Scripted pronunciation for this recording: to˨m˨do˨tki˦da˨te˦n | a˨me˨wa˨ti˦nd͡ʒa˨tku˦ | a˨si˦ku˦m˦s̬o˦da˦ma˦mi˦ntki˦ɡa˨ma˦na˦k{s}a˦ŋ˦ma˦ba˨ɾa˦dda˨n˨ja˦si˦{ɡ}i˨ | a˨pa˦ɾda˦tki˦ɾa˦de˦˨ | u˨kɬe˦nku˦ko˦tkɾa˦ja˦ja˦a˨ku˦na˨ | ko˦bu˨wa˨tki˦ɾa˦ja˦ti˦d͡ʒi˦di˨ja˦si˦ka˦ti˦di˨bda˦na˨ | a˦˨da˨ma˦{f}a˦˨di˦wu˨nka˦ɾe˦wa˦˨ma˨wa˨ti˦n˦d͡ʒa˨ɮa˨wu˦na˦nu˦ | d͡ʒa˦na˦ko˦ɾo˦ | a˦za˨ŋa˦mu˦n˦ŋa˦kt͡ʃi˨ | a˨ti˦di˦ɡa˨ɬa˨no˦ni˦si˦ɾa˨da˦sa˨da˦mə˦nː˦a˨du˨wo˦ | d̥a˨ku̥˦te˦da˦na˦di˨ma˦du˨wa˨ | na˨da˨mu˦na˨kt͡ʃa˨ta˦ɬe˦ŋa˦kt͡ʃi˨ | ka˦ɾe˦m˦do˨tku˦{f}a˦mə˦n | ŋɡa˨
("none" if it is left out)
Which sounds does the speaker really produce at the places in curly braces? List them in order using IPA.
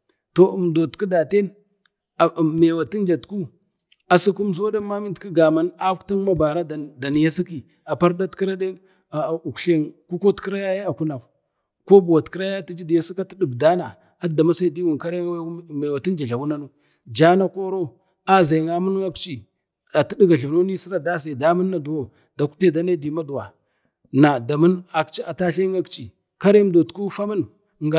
t, k, s, f

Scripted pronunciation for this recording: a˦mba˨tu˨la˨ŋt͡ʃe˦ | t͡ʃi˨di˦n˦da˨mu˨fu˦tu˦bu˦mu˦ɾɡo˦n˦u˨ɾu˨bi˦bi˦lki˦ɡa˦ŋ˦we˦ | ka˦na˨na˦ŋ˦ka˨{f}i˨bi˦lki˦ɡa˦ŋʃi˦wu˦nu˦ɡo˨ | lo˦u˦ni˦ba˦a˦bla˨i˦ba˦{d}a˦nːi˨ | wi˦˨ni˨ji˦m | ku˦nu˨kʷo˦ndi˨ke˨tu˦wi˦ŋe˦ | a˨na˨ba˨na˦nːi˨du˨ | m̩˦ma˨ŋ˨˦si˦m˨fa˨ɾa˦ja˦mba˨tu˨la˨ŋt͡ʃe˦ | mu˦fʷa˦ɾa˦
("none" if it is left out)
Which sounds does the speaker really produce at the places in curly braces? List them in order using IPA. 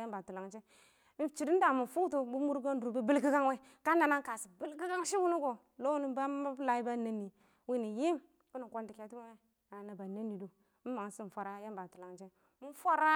s, n

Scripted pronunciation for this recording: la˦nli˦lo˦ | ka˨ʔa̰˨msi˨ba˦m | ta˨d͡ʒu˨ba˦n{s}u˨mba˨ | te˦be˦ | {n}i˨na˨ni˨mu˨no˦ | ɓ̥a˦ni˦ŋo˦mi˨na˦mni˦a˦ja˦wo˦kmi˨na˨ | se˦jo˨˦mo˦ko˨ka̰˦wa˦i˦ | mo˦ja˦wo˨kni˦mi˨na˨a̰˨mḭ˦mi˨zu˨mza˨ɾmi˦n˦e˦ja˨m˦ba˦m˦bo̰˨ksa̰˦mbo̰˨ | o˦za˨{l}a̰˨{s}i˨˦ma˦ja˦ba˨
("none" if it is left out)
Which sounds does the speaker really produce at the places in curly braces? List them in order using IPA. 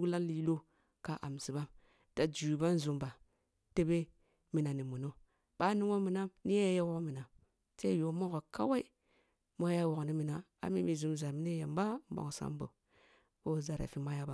z, m, ɾ, f

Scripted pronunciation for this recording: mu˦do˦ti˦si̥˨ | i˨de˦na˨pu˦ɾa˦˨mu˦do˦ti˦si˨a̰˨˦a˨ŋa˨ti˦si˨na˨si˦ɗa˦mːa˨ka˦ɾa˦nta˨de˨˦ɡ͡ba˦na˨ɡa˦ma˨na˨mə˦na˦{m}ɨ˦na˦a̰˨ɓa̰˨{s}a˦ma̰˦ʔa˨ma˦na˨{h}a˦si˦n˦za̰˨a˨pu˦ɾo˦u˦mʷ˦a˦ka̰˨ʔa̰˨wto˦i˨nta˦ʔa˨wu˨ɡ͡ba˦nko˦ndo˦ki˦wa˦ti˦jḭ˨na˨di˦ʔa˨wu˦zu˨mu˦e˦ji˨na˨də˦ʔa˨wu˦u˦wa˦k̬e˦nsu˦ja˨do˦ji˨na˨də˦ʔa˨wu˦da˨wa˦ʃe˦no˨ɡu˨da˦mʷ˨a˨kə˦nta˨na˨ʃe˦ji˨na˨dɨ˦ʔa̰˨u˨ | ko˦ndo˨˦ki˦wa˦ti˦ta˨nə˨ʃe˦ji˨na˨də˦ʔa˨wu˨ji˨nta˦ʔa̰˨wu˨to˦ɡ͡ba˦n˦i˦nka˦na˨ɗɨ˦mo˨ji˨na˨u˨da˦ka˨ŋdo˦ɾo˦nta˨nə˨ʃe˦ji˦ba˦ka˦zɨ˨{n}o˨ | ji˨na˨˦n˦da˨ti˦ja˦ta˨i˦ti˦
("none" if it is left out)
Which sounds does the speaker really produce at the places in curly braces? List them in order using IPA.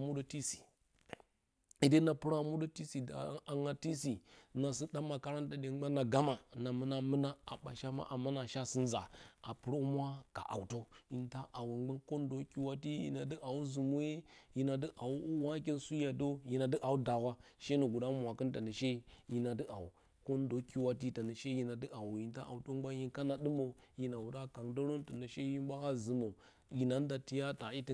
m, ʃ, ʃ, m

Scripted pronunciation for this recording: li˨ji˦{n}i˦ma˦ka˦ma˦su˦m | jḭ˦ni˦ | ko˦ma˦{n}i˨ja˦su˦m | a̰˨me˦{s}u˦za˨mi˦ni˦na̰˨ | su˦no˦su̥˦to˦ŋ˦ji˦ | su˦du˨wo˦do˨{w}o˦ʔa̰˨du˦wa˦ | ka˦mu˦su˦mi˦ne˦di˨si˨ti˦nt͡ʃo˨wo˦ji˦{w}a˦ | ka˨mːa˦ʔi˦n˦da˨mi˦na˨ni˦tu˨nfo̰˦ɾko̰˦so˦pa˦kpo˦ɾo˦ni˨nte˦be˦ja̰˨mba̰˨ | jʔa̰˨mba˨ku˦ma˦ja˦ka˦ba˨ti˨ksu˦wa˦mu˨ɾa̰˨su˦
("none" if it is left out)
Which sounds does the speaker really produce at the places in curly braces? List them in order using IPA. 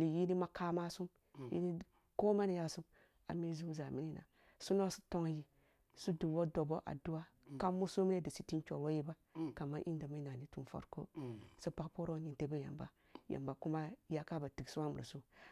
n, n, z, b, b

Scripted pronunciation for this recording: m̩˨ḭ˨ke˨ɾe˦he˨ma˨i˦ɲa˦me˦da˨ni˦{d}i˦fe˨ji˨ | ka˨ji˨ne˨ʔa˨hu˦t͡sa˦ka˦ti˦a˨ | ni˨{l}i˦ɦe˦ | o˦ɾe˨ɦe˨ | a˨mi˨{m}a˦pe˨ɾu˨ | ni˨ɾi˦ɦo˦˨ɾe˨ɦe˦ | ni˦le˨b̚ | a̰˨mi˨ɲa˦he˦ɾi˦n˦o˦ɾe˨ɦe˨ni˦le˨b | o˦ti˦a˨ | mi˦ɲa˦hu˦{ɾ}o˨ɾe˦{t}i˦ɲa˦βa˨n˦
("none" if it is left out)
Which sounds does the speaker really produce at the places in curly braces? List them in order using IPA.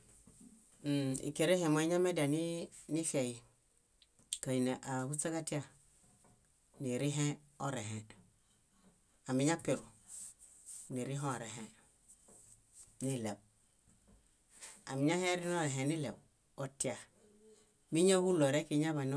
n, ɾ, ɲ, l, k

